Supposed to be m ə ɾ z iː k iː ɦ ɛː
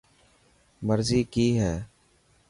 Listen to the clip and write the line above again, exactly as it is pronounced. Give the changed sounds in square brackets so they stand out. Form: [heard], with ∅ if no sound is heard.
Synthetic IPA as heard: m ə ɾ z iː k iː ɦ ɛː